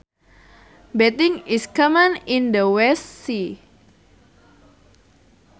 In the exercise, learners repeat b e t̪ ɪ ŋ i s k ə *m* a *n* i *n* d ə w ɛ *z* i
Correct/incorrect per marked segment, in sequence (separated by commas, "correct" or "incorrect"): correct, correct, correct, incorrect